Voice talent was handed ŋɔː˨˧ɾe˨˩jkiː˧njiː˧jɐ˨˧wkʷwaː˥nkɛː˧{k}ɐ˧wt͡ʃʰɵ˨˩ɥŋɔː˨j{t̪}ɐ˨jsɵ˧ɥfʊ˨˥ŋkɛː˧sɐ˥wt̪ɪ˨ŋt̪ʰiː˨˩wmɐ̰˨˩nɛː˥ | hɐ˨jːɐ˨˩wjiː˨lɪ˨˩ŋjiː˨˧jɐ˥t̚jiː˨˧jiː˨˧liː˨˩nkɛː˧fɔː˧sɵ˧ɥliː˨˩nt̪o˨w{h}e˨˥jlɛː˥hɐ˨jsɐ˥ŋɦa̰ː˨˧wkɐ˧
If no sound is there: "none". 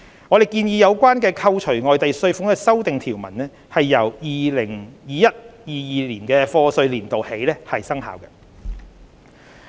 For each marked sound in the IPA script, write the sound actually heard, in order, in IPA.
kʰ, t̪, h

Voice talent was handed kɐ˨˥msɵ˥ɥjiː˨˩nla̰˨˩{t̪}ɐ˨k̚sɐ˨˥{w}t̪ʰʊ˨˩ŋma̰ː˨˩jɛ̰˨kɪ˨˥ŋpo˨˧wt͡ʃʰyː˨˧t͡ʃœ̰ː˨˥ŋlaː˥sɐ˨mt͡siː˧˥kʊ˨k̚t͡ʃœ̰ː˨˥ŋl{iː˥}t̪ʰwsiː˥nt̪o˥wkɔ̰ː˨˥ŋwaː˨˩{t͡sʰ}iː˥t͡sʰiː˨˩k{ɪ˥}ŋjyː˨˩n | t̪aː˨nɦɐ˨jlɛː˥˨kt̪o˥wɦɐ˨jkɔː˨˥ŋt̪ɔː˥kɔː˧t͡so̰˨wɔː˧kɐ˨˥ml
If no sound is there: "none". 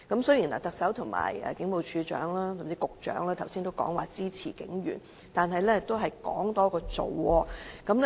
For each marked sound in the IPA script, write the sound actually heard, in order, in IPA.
t̪, w, aː˥, t͡s, ɪ˨˥

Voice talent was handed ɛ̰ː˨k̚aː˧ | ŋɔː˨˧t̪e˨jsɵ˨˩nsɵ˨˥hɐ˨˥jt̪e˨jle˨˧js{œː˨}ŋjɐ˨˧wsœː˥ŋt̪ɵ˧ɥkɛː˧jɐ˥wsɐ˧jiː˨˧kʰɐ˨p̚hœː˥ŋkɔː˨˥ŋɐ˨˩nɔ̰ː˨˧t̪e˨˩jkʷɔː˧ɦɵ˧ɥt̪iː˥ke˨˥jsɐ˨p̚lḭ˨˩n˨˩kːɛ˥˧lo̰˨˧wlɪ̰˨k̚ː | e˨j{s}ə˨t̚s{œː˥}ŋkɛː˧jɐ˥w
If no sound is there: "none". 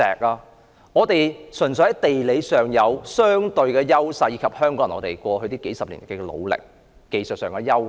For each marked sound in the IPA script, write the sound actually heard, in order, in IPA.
œː˨, s, œː˨˩

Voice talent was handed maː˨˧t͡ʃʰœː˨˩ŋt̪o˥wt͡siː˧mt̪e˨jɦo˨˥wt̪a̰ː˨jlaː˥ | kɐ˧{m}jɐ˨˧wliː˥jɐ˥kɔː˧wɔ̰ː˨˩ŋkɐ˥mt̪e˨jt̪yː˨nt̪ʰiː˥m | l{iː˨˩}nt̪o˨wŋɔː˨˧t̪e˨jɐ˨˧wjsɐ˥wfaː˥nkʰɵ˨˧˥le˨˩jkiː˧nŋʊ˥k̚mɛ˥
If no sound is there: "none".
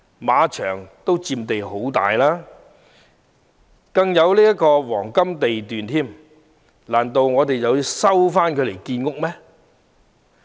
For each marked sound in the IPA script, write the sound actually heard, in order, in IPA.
ŋ, aː˨˩

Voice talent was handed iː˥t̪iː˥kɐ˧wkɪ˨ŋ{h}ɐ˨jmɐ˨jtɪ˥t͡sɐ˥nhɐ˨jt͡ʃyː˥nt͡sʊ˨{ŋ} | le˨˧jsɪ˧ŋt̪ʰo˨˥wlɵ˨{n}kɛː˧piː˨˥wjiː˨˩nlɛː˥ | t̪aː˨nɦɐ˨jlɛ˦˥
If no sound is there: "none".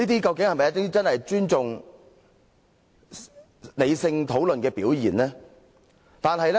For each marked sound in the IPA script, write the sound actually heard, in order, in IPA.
h, ŋ, n

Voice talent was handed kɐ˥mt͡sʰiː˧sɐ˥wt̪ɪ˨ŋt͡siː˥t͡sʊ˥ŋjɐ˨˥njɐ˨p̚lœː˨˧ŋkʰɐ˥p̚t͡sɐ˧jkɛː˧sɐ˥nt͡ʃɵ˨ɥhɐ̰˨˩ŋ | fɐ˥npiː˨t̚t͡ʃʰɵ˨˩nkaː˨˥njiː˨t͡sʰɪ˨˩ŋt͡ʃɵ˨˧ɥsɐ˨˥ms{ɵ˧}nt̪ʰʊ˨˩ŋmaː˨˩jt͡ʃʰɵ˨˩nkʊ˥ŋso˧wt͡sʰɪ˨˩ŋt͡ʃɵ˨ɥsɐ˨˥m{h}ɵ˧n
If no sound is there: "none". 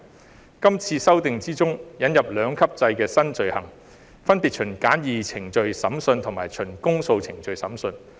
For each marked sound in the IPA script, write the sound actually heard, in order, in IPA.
ɵ˧, s

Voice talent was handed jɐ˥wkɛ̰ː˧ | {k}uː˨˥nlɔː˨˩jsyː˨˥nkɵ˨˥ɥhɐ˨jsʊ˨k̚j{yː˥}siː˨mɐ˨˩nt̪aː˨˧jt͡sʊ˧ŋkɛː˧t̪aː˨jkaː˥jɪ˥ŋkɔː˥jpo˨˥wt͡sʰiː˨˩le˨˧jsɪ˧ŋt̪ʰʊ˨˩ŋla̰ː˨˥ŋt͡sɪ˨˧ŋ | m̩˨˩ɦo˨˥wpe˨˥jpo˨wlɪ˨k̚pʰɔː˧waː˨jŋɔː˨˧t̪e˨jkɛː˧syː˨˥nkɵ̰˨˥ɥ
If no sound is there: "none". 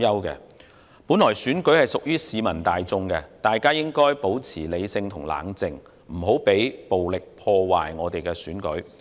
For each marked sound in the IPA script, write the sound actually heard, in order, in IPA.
p, yː˥

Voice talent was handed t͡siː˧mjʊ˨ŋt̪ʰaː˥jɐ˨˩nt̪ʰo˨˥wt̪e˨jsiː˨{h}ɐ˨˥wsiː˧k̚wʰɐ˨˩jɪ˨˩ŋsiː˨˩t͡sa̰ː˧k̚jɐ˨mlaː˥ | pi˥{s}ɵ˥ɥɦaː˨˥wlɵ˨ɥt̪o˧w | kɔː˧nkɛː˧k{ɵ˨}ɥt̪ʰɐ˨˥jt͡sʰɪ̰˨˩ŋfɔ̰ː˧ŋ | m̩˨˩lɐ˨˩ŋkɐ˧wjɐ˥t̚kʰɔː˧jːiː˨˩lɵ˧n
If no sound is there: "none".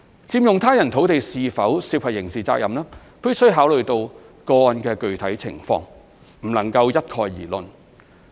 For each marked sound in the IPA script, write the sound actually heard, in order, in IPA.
f, s, ɵ˨

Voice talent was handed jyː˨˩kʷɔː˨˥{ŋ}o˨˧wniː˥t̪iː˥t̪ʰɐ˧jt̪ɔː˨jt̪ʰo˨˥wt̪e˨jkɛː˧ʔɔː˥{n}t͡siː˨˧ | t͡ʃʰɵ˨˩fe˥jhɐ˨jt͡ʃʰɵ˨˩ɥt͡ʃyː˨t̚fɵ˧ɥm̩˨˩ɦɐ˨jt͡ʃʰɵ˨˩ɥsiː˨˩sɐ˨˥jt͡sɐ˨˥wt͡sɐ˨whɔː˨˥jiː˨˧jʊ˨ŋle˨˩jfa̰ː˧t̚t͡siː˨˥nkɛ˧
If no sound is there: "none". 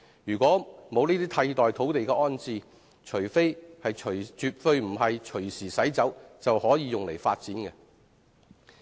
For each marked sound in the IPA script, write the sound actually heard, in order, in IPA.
m, n

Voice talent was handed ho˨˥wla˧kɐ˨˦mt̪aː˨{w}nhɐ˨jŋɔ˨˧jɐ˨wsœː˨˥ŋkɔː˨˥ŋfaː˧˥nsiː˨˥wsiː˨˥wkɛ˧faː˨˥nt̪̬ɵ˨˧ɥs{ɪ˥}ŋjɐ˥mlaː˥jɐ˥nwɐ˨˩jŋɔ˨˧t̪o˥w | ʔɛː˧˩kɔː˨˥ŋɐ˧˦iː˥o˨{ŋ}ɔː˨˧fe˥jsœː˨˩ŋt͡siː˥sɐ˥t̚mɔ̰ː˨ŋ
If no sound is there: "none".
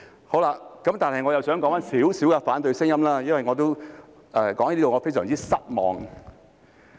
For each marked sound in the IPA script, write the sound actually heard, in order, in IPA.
none, ɪ˥, ŋ

